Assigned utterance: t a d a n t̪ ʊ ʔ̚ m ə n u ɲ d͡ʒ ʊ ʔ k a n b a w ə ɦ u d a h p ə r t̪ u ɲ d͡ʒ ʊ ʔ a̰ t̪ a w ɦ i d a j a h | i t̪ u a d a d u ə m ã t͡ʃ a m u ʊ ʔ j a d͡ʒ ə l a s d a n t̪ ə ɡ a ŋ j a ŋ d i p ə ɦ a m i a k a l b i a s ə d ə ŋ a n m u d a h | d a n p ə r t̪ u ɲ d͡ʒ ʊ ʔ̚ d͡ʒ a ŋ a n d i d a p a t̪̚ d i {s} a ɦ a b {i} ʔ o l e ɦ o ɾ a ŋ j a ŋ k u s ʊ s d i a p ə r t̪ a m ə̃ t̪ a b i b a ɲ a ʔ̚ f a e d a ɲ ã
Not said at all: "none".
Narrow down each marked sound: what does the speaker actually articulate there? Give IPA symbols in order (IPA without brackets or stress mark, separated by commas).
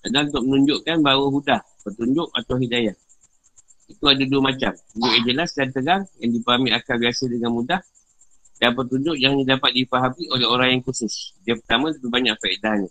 f, i